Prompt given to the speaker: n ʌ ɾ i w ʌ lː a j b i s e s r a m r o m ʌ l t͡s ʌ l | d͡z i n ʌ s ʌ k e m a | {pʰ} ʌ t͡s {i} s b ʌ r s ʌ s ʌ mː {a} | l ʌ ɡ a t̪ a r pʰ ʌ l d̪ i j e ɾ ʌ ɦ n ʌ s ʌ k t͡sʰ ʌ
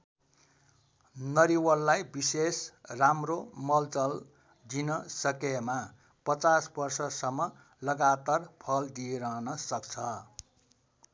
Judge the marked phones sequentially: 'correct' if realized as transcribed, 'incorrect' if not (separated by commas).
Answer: incorrect, incorrect, incorrect